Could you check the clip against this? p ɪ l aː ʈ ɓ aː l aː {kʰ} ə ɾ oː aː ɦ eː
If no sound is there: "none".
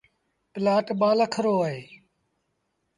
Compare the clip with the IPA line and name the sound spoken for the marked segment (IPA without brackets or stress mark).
kʰ